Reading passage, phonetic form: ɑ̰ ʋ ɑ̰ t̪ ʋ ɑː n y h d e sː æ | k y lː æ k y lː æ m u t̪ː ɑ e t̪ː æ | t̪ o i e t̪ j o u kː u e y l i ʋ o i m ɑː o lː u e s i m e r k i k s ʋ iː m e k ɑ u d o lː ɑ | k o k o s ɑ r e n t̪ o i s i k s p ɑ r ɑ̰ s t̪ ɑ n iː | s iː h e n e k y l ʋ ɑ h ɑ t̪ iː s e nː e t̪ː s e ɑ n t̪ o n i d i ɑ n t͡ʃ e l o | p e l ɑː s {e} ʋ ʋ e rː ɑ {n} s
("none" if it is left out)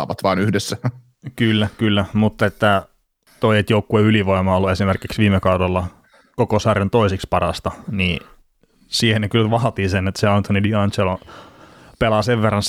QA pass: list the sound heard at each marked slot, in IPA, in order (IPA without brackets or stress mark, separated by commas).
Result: e, n